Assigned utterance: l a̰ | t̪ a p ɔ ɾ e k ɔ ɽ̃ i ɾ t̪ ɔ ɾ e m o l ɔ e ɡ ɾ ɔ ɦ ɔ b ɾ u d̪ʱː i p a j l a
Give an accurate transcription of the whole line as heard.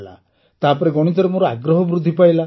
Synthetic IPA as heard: l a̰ | t̪ a p ɔ ɾ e ɡ ɔ ɽ̃ i t̪ ɔ ɾ e m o ɾ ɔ a ɡ ɾ ɔ ɦ ɔ b ɾ u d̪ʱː i p a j l a

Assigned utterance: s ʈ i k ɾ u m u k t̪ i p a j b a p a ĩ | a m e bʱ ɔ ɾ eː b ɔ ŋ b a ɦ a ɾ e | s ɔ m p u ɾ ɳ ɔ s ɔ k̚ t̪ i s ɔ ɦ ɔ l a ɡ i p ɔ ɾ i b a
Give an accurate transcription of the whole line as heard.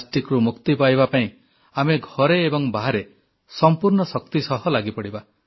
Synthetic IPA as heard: s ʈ i k ɾ u m u k t̪ i p a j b a p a ĩ | a m e ɡʱ ɔ ɾ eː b ɔ ŋ b a ɦ a ɾ e | s ɔ m p u ɾ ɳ ɔ s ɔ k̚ t̪ i s ɔ ɦ ɔ l a ɡ i p ɔ ɽ i b a

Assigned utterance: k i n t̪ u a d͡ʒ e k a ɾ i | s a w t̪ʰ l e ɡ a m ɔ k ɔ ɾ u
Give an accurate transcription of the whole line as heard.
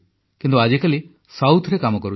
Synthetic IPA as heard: k i n t̪ u a d͡ʒ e k a l i | s a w t̪ʰ ɾ e k a m ɔ k ɔ ɾ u

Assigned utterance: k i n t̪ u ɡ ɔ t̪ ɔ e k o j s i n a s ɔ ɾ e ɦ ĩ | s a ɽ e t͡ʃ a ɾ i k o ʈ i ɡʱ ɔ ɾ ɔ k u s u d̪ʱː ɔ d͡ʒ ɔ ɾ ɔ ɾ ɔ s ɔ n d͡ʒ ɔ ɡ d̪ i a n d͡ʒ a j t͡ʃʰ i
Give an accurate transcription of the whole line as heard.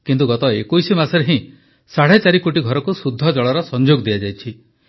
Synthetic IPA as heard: k i n t̪ u ɡ ɔ t̪ ɔ e k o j s i m a s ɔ ɾ e ɦ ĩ | s a ɽ e t͡ʃ a ɾ i k o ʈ i ɡʱ ɔ ɾ ɔ k u s u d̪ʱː ɔ d͡ʒ ɔ ɭ ɔ ɾ ɔ s ɔ n d͡ʒ o ɡ d̪ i a d͡ʒ a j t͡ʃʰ i

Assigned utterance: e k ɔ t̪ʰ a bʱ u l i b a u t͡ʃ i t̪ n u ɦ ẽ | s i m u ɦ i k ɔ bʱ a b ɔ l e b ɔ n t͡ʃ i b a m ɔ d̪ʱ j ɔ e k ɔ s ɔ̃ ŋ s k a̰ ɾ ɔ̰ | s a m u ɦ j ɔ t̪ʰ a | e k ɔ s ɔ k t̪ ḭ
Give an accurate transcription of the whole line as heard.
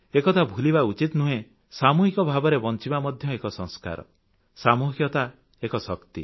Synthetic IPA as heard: e k ɔ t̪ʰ a bʱ u l i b a u t͡ʃ i t̪ n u ɦ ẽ | s a m u ɦ i k ɔ bʱ a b ɔ ɾ e b ɔ n t͡ʃ i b a m ɔ d̪ʱ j ɔ e k ɔ s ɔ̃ ŋ s k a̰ ɾ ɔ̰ | s a m u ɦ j ɔ t̪ a | e k ɔ s ɔ k t̪ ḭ

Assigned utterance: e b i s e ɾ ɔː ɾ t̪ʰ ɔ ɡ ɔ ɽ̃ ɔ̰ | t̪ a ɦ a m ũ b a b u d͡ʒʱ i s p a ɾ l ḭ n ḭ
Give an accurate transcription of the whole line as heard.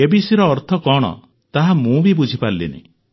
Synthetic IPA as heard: e b i s i ɾ ɔː ɾ t̪ʰ ɔ k ɔ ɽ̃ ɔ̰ | t̪ a ɦ a m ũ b i b u d͡ʒʱ i p a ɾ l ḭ n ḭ

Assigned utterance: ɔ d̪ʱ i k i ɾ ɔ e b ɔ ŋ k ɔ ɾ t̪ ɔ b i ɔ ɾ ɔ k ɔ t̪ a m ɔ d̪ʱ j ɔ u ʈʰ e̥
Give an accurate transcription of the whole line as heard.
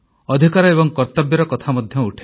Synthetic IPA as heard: ɔ d̪ʱ i k a ɾ ɔ e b ɔ ŋ k ɔ ɾ t̪ ɔ b j ɔ ɾ ɔ k ɔ t̪ʰ a m ɔ d̪ʱ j ɔ u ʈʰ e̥

